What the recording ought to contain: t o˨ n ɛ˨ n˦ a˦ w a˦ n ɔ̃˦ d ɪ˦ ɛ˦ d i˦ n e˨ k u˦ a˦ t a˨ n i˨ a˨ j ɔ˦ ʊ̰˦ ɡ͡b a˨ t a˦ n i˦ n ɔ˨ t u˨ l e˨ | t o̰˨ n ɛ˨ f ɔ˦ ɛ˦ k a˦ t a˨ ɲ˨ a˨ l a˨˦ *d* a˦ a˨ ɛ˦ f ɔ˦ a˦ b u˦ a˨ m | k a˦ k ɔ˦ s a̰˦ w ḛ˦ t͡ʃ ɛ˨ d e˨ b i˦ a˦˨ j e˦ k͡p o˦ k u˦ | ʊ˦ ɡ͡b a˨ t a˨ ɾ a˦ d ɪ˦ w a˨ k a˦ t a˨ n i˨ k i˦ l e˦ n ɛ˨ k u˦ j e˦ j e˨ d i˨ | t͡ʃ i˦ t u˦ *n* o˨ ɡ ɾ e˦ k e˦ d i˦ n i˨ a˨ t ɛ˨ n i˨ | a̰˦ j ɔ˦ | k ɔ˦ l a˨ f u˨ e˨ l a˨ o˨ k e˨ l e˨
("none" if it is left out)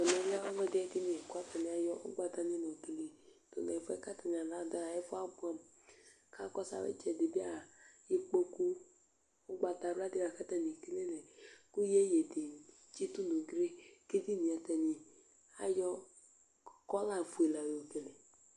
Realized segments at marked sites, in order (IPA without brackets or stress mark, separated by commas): d, n